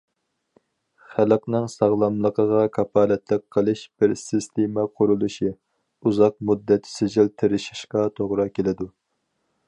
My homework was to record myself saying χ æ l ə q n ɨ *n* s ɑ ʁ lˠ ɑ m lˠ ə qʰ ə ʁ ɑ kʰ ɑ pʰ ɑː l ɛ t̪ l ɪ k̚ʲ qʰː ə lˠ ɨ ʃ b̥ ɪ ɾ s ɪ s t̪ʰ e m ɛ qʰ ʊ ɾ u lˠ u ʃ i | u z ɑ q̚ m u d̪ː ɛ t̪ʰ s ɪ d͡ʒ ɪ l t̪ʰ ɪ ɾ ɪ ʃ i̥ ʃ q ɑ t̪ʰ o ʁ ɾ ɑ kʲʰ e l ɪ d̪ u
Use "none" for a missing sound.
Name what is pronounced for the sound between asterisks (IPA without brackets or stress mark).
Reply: ŋ